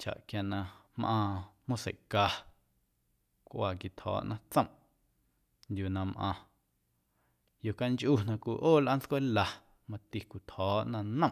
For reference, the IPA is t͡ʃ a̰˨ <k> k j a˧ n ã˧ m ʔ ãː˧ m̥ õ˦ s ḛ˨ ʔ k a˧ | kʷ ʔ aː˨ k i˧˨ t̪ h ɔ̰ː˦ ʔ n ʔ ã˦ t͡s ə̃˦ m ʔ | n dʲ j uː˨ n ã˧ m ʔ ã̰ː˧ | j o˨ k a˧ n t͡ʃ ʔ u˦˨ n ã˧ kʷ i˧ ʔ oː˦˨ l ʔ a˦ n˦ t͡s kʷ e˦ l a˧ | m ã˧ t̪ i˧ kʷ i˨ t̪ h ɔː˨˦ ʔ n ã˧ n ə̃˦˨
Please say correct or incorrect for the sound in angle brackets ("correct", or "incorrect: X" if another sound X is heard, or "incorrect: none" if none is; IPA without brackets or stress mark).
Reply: incorrect: ʔ